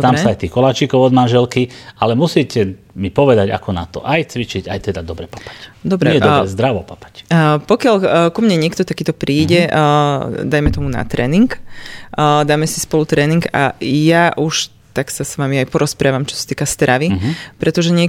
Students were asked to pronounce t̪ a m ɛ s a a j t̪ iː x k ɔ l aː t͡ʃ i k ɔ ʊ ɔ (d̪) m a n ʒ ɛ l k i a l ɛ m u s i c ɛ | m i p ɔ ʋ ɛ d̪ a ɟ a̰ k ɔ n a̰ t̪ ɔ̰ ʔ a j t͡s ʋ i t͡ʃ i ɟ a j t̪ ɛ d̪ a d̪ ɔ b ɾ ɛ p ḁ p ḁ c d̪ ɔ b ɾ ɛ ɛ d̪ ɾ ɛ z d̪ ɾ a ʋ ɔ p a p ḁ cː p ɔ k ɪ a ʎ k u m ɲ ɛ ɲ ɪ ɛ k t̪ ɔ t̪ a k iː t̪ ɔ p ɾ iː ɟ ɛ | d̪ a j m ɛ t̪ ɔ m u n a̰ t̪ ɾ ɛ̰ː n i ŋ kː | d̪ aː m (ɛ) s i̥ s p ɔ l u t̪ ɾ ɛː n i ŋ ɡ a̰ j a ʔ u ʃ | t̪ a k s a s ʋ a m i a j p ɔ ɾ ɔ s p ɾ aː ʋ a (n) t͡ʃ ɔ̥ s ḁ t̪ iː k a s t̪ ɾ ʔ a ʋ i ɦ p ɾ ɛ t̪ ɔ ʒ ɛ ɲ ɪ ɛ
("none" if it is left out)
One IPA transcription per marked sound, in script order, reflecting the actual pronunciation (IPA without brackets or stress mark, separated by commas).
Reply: d̪, ɛ, m